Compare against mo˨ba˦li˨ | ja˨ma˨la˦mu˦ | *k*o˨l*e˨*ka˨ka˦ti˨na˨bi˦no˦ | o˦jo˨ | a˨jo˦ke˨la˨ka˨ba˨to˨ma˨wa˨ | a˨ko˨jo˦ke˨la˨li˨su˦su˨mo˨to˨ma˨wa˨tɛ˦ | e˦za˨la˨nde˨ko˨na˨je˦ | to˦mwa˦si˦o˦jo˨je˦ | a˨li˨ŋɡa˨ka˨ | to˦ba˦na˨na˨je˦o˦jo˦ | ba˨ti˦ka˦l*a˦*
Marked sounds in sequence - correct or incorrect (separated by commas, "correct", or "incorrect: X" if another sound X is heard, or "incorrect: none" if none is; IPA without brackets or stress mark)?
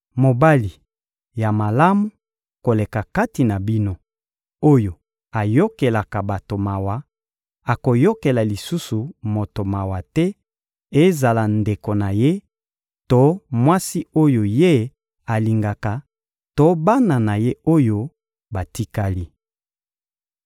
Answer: correct, correct, incorrect: i˦